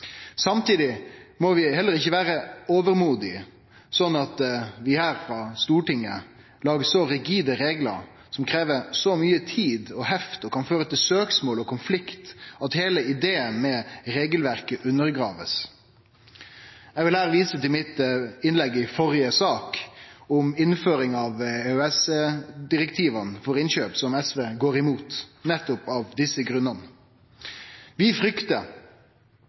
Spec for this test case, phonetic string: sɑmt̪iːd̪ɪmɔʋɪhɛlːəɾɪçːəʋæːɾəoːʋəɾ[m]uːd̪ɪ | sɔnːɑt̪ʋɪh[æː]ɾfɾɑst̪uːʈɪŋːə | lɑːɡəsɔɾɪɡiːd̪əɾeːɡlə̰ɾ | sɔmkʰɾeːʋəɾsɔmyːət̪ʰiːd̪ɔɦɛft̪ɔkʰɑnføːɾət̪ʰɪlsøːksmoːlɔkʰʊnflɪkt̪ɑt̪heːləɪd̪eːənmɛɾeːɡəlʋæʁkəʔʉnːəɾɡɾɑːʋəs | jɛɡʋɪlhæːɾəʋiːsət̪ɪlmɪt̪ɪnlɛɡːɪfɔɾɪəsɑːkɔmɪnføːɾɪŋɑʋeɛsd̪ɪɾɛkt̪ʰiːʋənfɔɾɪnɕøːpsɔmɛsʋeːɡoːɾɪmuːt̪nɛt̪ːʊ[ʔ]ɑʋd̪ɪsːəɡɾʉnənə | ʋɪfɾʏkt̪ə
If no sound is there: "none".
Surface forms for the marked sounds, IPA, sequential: m, æː, p

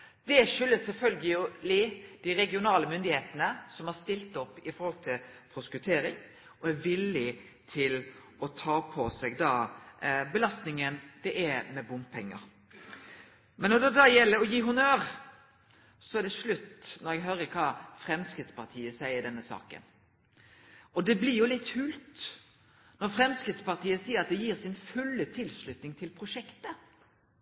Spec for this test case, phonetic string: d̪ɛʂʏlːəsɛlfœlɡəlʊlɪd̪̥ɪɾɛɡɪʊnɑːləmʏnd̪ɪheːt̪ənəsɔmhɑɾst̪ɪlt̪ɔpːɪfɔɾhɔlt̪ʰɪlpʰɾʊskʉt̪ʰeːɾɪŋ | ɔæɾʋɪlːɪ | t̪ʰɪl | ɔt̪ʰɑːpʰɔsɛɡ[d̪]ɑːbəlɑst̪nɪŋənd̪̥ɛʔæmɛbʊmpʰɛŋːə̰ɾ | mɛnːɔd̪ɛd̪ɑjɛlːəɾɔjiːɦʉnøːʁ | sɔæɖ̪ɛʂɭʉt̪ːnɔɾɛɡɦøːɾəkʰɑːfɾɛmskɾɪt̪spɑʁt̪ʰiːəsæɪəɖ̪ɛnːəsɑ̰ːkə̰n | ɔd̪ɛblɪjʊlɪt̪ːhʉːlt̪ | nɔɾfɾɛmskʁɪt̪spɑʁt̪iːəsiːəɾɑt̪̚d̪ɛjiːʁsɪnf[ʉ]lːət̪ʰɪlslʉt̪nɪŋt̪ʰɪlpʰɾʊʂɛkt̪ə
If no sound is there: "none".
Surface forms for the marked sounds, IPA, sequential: d̪, ʉ

